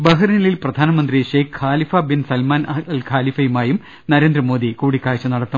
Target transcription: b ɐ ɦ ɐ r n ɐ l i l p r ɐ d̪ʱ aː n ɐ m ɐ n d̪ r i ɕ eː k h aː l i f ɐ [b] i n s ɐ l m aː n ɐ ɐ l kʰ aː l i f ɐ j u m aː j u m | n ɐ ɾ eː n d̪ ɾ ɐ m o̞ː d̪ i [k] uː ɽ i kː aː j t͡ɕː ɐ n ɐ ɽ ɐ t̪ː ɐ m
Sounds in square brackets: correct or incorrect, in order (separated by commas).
correct, correct